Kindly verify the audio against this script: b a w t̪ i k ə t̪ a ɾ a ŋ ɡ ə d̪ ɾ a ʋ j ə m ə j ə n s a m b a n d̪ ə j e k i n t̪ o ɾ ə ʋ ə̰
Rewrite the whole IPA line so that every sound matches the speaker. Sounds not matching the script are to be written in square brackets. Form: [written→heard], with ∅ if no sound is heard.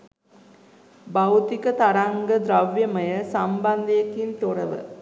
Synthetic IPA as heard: b a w t̪ i k ə t̪ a ɾ a ŋ ɡ ə d̪ ɾ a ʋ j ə m ə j ə [n→∅] s a m b a n d̪ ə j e k i n t̪ o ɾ ə ʋ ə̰